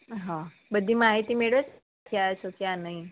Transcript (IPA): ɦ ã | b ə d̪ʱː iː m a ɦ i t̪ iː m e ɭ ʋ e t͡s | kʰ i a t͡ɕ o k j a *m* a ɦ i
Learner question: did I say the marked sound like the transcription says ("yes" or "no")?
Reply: no